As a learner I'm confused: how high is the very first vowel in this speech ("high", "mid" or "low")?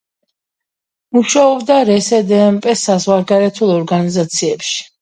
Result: high